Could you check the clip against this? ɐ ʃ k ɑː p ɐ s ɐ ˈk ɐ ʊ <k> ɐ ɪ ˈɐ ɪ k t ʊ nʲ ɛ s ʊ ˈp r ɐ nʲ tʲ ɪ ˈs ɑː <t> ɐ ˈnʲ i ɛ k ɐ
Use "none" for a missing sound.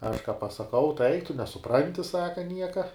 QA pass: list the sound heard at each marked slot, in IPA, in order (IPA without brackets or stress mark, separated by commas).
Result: t, k